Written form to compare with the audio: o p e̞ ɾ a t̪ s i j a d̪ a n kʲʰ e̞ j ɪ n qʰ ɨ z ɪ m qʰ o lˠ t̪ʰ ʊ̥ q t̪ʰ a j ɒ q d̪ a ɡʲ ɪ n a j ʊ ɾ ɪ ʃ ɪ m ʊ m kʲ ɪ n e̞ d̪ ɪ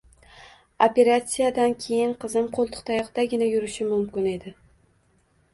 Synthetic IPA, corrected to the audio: o p e̞ ɾ a t̪ s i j a d̪ a n kʲʰ e̞ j ɪ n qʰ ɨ z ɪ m qʰ o lˠ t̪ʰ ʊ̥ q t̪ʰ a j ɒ q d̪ a ɡʲ ɪ n a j ʊ ɾ ɪ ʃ ɪ m ʊ m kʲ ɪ n e̞ d̪ ɪ